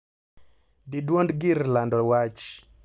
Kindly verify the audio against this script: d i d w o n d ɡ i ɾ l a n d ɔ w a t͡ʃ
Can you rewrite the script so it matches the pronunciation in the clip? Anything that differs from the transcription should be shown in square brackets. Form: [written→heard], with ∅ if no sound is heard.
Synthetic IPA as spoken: d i d w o n d ɡ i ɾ l a n d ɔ w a t͡ʃ

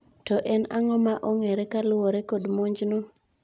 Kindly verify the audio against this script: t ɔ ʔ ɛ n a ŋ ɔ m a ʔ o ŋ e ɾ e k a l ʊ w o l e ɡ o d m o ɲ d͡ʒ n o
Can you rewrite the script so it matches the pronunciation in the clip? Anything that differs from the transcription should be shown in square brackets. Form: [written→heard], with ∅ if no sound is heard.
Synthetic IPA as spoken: t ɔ ʔ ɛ n a ŋ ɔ m a ʔ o ŋ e ɾ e k a l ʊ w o [l→ɾ] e [ɡ→k] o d m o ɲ d͡ʒ n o

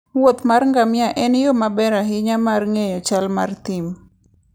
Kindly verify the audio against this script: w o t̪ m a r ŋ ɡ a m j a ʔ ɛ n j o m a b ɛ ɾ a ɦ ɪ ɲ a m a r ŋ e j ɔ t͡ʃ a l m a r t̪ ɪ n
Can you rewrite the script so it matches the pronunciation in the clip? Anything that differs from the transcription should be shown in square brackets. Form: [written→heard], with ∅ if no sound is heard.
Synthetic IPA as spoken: w o t̪ m a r ŋ ɡ a m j a ʔ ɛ n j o m a b ɛ ɾ a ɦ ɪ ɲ a m a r ŋ e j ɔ t͡ʃ a l m a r t̪ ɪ [n→m]

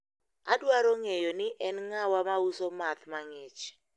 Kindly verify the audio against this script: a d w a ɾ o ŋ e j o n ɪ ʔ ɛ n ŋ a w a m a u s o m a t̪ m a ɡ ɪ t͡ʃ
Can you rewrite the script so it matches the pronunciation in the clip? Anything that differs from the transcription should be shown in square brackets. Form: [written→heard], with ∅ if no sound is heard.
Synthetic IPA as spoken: a d w a ɾ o ŋ e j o n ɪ ʔ ɛ n ŋ a w a m a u s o m a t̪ m a [ɡ→ŋ] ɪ t͡ʃ

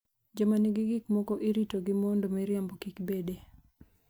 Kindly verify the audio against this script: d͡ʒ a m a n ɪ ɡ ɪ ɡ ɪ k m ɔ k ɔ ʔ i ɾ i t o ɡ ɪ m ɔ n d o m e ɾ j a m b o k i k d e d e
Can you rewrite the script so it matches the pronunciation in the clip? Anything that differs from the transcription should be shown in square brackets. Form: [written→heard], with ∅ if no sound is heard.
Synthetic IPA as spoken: d͡ʒ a m a n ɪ ɡ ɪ ɡ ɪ k m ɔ k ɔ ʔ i ɾ i t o ɡ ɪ m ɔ n d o m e ɾ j a m b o k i k [d→b] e d e

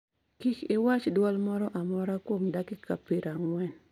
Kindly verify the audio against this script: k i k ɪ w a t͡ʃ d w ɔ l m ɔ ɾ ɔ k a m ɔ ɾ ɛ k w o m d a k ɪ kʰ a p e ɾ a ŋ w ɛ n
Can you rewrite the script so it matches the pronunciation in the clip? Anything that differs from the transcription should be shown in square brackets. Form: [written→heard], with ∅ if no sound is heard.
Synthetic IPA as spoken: k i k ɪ w a t͡ʃ d w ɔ l m ɔ ɾ ɔ [k→ʔ] a m ɔ ɾ [ɛ→a] k w o m d a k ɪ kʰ a p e ɾ a ŋ w ɛ n

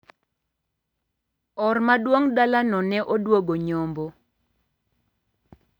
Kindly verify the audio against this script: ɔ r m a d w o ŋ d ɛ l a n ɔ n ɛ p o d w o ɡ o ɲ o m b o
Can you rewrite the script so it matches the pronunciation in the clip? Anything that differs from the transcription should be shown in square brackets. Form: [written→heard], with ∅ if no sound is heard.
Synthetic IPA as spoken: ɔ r m a d w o ŋ d [ɛ→a] l a n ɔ n ɛ [p→ʔ] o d w o ɡ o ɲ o m b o

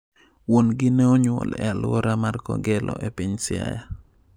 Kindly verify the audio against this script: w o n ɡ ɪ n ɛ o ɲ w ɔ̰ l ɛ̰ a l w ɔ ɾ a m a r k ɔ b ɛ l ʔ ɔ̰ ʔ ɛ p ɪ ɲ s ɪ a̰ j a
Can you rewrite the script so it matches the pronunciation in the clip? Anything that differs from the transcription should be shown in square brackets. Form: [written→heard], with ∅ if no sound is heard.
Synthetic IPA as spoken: w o n ɡ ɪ n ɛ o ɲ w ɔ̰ l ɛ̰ a l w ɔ ɾ a m a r k ɔ [b→ɡ] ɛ l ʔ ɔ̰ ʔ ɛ p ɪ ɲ s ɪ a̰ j a

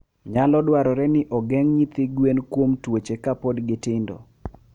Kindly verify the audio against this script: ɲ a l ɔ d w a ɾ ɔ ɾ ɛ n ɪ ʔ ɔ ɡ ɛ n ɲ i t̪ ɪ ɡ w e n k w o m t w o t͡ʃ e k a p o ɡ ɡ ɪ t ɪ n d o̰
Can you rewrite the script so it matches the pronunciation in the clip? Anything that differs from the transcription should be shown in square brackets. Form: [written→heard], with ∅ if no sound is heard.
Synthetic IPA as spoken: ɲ a l ɔ d w a ɾ ɔ ɾ ɛ n ɪ ʔ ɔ ɡ ɛ [n→ŋ] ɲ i t̪ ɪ ɡ w e n k w o m t w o t͡ʃ e k a p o [ɡ→d] ɡ ɪ t ɪ n d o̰

